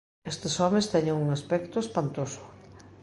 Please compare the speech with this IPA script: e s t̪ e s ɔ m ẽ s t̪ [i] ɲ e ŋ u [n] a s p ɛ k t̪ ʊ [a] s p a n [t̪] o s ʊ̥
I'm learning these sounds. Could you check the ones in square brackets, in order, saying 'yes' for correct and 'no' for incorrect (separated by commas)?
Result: no, no, no, yes